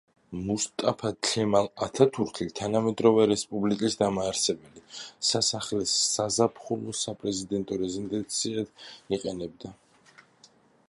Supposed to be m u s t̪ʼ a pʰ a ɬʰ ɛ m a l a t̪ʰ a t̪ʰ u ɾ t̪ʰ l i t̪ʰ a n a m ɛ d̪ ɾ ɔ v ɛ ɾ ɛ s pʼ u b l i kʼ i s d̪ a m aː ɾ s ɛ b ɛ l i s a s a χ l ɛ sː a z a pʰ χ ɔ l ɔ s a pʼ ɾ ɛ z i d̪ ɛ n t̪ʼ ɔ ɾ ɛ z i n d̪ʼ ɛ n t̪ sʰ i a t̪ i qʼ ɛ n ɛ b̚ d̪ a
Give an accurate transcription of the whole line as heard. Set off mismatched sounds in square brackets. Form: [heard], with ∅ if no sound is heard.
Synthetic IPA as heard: m u s t̪ʼ a pʰ a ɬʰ ɛ m a l a t̪ʰ a t̪ʰ u ɾ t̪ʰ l i t̪ʰ a n a m ɛ d̪ ɾ ɔ v ɛ ɾ ɛ s pʼ u b l i kʼ i s d̪ a m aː ɾ s ɛ b ɛ l i s a s a χ l ɛ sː a z a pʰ χ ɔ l ɔ s a pʼ ɾ ɛ z i d̪ ɛ n t̪ʼ ɔ ɾ ɛ z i n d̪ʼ ɛ n t̪ sʰ i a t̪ i qʼ ɛ n ɛ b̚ d̪ a